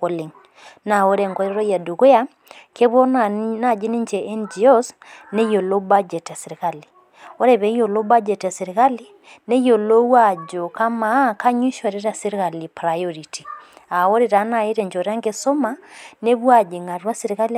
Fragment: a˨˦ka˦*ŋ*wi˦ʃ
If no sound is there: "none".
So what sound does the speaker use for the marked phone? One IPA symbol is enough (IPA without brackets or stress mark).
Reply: ɲ